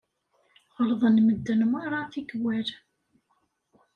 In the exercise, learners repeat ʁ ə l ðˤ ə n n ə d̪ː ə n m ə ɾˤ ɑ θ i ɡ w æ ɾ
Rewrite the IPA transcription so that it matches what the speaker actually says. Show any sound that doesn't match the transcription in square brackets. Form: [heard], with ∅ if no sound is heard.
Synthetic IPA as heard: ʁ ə l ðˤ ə n [m] ə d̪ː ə n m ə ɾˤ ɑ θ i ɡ w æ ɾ